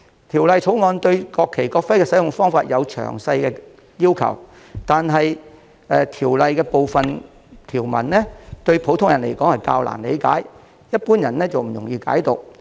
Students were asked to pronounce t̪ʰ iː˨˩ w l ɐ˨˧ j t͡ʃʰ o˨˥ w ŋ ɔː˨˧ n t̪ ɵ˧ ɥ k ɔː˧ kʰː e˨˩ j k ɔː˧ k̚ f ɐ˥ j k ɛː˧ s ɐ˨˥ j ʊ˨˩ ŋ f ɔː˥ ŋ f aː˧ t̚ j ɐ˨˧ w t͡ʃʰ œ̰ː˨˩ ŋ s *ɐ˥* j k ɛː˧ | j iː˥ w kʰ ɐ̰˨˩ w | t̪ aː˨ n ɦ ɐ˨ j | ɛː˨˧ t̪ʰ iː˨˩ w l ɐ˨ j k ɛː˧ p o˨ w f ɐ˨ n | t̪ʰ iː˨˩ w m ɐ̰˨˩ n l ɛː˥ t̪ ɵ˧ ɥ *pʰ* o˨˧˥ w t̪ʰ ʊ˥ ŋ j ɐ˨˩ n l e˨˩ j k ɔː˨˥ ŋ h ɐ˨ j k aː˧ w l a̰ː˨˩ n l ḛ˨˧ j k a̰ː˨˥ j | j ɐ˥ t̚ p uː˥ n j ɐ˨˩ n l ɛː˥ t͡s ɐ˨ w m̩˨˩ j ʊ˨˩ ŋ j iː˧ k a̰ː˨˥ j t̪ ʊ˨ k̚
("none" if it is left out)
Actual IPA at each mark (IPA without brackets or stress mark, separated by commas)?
ɐ˧, pʰ